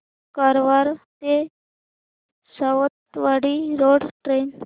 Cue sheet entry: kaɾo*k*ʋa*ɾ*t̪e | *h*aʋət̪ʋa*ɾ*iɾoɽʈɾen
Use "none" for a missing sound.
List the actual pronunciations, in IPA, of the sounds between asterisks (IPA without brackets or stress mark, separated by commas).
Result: none, ɾ, s, ɽ